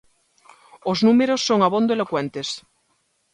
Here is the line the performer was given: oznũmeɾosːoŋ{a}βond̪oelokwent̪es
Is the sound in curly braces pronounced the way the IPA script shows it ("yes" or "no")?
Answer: yes